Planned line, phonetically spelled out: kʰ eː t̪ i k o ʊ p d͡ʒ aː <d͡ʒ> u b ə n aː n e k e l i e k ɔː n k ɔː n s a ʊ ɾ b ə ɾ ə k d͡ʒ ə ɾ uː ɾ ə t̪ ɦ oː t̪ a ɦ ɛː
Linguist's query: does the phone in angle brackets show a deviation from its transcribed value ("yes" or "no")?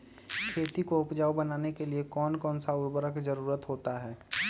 yes